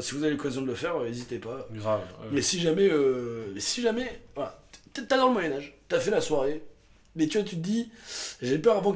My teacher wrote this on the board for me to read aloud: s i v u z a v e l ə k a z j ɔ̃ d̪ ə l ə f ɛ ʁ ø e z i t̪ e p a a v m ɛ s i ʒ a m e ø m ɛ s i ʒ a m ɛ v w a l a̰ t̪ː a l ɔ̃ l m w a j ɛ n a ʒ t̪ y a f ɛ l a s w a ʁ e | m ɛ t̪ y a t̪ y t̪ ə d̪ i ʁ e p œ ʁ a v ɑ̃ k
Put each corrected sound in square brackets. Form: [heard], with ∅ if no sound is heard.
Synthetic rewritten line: s i v u z a v e l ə k a z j ɔ̃ d̪ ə l ə f ɛ ʁ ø e z i t̪ e p a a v m ɛ s i ʒ a m [ɛ] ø m ɛ s i ʒ a m ɛ v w a l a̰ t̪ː a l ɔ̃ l m w a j ɛ n a ʒ t̪ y a f ɛ l a s w a ʁ e | m ɛ t̪ y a t̪ y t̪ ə d̪ i [ʒ] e p œ ʁ a v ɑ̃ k